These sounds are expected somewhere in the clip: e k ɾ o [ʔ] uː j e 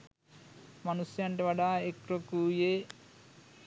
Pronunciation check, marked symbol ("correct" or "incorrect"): incorrect